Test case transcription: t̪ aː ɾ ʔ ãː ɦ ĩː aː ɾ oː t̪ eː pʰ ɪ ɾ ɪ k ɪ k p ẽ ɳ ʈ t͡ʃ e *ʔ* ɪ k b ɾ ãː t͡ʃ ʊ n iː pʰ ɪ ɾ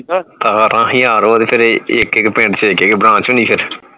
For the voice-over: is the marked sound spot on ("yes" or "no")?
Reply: no